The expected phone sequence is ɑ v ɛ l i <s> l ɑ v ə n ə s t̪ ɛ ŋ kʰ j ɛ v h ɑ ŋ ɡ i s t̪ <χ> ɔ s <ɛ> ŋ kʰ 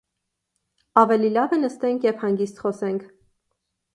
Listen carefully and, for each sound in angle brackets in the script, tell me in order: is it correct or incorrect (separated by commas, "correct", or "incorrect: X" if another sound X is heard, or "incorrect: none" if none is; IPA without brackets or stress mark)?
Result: incorrect: none, correct, correct